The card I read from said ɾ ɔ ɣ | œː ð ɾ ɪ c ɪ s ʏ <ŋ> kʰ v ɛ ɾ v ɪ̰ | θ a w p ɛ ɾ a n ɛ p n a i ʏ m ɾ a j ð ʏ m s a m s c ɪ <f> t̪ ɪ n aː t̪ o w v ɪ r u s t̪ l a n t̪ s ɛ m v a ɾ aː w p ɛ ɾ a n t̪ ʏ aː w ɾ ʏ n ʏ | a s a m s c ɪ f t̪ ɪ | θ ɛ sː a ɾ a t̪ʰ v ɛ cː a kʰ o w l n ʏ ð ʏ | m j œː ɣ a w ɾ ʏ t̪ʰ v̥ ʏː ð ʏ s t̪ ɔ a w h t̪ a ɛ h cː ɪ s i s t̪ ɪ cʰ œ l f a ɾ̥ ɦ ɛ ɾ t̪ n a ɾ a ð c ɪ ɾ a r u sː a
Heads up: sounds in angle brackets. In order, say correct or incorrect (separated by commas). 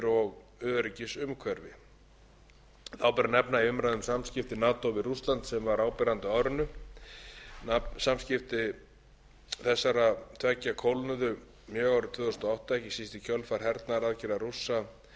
incorrect, correct